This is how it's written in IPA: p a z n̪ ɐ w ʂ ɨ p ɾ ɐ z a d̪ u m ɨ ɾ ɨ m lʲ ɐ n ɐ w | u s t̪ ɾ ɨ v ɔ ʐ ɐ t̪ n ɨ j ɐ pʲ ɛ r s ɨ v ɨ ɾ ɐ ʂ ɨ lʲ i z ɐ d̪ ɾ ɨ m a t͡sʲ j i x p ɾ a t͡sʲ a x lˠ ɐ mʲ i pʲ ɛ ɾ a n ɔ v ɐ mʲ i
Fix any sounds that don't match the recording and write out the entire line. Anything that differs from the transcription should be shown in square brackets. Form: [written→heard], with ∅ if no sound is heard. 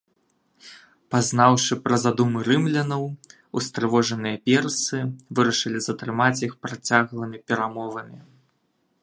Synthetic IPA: p a z n̪ [ɐ→a] w ʂ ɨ p ɾ ɐ z a d̪ u m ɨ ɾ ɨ m lʲ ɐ n ɐ w | u s t̪ ɾ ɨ v ɔ ʐ ɐ [t̪→∅] n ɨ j ɐ pʲ ɛ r s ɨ v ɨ ɾ ɐ ʂ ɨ lʲ i z ɐ [d̪→t̪] ɾ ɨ m a t͡sʲ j i x p ɾ a t͡sʲ a [x→ɣ] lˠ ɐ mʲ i pʲ ɛ ɾ a [n→m] ɔ v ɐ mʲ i

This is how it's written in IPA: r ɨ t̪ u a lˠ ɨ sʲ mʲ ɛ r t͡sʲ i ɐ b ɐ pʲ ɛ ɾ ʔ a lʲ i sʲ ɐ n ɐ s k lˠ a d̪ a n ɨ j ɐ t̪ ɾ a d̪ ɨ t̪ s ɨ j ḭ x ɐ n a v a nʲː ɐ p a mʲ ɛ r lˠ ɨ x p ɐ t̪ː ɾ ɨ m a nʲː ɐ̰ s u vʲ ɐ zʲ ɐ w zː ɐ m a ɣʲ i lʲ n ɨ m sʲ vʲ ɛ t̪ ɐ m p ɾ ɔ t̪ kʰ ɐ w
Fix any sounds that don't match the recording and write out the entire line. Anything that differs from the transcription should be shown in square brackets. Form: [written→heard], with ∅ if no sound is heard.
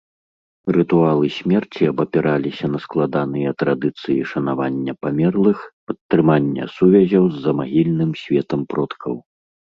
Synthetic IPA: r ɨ t̪ u a lˠ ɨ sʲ mʲ ɛ r t͡sʲ i ɐ b ɐ pʲ ɛ ɾ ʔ a lʲ i sʲ ɐ n ɐ s k lˠ a d̪ a n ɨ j ɐ t̪ ɾ a d̪ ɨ t̪ s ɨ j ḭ [x→ʂ] ɐ n a v a nʲː ɐ p a mʲ ɛ r lˠ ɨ x p ɐ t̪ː ɾ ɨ m a nʲː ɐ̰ s u vʲ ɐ zʲ ɐ w zː ɐ m a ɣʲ i lʲ n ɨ m sʲ vʲ ɛ t̪ ɐ m p ɾ ɔ t̪ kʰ ɐ w

